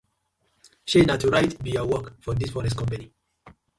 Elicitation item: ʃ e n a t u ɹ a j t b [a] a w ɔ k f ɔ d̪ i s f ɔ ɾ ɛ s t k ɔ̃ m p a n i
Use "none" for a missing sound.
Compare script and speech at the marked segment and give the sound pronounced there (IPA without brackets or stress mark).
i